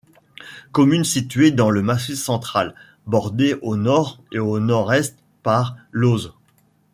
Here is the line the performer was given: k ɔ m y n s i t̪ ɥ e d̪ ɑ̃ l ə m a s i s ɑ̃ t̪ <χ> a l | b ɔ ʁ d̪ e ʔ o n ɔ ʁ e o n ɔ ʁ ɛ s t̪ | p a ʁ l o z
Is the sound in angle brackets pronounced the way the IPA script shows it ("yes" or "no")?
yes